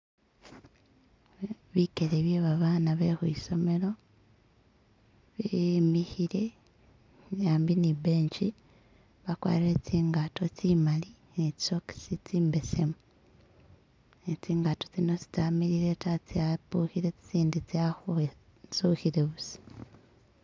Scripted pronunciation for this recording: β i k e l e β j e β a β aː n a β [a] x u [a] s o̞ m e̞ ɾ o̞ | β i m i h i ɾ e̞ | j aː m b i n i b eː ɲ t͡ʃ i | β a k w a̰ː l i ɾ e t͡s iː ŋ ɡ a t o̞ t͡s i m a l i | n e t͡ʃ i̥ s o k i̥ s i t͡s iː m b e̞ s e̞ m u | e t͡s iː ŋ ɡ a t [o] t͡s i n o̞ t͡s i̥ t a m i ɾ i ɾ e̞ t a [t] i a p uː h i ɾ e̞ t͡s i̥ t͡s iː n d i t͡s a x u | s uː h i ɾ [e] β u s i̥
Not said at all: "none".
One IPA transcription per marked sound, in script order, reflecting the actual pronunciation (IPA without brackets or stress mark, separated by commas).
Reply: e, i, o, t͡s, e